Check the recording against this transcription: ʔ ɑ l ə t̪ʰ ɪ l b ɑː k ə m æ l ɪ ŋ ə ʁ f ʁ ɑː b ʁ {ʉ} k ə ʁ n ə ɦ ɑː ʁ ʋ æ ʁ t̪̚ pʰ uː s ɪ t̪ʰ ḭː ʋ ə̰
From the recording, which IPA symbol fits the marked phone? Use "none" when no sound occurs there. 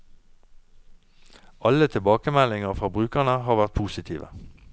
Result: ʉː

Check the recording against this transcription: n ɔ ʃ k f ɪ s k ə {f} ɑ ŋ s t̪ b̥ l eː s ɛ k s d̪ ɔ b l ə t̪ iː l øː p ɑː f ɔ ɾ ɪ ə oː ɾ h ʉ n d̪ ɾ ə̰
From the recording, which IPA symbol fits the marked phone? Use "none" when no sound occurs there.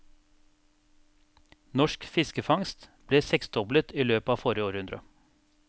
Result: f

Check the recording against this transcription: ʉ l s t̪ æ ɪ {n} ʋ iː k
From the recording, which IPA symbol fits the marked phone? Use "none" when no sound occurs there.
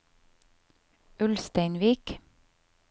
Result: n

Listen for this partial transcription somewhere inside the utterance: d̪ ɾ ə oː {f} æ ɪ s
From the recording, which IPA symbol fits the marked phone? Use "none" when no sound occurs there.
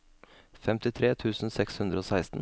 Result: s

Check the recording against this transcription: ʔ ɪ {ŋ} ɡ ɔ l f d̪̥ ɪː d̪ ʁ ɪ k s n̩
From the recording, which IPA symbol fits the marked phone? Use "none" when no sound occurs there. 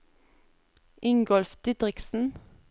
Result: ŋ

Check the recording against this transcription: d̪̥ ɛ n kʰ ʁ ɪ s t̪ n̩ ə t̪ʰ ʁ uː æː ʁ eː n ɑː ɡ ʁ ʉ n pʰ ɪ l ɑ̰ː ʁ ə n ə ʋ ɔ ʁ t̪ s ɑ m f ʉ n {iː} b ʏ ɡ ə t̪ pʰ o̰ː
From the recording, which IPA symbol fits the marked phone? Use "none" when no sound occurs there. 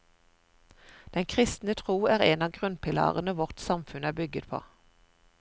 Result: æː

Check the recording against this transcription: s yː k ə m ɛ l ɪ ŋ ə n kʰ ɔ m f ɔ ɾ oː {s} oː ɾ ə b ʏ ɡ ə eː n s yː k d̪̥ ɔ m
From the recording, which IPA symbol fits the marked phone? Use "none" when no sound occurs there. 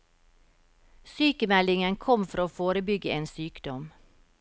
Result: f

